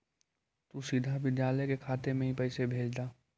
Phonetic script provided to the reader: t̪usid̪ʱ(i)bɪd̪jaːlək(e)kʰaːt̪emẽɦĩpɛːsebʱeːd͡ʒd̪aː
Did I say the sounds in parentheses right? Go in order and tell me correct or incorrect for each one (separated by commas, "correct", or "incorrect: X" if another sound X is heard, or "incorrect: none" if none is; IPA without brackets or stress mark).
incorrect: a, correct